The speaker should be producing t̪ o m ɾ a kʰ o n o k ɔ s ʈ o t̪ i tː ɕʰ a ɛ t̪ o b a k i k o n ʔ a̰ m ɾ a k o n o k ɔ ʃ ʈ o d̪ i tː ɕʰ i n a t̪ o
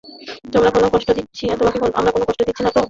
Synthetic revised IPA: t̪ o m ɾ a k o n o k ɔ ʃ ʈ o d̪ i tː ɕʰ i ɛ t̪ o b a k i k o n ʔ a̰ m ɾ a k o n o k ɔ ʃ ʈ o d̪ i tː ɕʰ i n a t̪ o